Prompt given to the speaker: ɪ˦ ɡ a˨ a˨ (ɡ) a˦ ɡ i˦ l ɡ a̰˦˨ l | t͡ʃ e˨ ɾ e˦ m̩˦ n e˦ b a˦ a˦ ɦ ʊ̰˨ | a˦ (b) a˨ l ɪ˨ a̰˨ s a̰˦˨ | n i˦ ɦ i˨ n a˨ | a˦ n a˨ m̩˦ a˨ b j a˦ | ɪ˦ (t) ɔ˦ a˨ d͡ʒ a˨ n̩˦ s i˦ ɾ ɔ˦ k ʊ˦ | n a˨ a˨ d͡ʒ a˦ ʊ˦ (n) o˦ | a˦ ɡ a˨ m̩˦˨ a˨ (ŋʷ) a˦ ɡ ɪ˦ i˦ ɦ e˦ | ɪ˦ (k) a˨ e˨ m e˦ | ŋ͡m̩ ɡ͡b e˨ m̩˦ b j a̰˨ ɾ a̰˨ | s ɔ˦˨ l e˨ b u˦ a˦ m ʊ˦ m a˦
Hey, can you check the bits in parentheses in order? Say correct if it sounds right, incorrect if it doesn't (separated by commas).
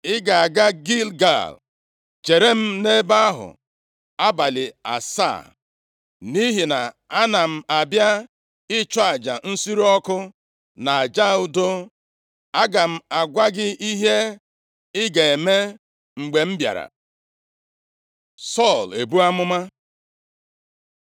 correct, correct, incorrect, incorrect, incorrect, incorrect